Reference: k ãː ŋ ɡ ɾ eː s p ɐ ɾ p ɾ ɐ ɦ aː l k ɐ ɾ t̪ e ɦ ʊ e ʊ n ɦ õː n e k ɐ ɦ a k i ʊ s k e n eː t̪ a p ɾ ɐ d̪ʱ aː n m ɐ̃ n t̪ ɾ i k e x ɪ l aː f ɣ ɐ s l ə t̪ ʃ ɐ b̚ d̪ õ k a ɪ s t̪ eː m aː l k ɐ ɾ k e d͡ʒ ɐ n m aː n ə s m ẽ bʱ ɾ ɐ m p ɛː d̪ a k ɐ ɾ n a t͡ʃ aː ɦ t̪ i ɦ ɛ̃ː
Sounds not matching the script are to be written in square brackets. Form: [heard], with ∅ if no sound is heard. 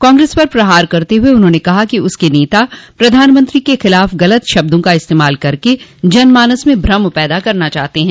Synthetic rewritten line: k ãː ŋ ɡ ɾ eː s p ɐ ɾ p ɾ ɐ ɦ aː [ɾ] k ɐ ɾ t̪ e ɦ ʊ e ʊ n ɦ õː n e k ɐ ɦ a k i ʊ s k e n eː t̪ a p ɾ ɐ d̪ʱ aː n m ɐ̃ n t̪ ɾ i k e x ɪ l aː f ɣ ɐ [∅] l ə t̪ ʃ ɐ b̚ d̪ õ k a ɪ s t̪ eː m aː l k ɐ ɾ k e d͡ʒ ɐ n m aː n ə s m ẽ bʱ ɾ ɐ m p ɛː d̪ a k ɐ ɾ n a t͡ʃ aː ɦ t̪ [e] ɦ ɛ̃ː